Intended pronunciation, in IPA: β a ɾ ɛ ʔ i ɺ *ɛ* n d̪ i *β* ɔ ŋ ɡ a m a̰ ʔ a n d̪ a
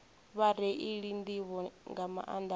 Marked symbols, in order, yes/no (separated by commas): no, yes